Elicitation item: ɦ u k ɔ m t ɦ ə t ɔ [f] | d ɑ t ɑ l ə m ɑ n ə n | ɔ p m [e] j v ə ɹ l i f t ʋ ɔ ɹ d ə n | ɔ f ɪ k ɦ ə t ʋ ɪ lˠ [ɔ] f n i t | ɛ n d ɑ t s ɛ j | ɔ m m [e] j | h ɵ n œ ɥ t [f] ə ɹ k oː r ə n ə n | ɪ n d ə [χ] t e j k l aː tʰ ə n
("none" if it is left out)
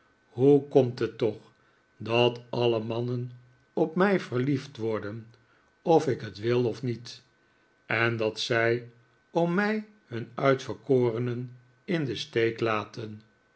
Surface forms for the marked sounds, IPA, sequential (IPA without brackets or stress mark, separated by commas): χ, ɛ, ɔ, ɛ, f, s